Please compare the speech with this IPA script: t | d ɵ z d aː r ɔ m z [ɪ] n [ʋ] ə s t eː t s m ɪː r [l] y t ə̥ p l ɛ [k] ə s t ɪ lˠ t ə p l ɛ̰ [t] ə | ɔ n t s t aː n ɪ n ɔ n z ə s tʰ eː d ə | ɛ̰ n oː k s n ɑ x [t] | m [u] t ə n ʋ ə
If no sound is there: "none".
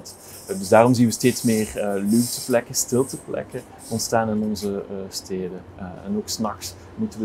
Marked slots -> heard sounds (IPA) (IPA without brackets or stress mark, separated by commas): i, ʋ, l, k, k, s, u